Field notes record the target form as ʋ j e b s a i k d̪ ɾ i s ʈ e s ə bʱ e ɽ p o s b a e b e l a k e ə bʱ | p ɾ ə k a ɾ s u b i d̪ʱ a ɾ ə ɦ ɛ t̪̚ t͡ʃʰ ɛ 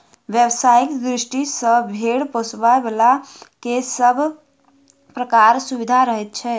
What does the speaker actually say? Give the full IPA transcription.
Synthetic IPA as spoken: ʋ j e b s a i k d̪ ɾ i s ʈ i s ə bʱ e ɽ p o s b a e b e l a k e ə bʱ | p ɾ ə k a ɾ s u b i d̪ʱ a ɾ ə ɦ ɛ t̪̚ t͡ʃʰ ɛ